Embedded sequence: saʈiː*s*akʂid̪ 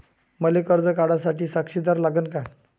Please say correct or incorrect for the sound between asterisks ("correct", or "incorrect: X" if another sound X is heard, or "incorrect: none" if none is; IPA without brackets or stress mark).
correct